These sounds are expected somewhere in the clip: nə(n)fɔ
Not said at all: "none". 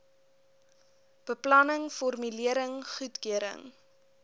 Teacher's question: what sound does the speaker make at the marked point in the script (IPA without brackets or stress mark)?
ŋ